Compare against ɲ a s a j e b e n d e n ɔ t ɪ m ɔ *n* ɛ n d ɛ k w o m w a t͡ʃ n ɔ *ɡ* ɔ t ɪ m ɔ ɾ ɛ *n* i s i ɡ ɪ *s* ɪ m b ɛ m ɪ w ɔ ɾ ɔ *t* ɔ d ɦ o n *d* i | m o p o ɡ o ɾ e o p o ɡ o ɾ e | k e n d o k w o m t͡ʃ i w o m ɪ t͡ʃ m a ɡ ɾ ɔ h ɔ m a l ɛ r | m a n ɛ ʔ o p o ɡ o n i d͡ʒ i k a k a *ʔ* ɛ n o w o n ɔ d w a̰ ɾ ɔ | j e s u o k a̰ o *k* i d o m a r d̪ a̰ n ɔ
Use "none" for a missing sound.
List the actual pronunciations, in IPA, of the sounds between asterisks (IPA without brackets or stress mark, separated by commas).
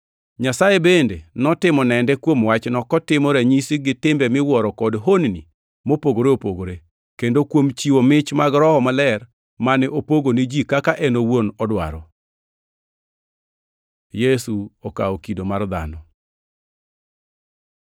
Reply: n, k, ɲ, t, k, n, ʔ, k